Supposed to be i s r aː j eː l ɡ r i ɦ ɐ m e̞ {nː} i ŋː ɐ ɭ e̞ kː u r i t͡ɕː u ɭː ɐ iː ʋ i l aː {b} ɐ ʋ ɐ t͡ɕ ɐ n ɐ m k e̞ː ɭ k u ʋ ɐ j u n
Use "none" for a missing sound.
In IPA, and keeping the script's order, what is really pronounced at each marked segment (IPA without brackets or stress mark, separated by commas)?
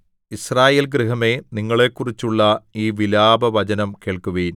n, b